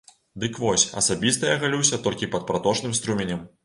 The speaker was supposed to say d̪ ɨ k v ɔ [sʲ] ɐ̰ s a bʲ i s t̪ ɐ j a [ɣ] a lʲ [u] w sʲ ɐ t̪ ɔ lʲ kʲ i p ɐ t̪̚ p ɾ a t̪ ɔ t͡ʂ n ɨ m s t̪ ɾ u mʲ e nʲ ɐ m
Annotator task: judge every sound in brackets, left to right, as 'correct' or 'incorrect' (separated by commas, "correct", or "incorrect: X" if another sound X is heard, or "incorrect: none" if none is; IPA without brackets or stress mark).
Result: correct, correct, correct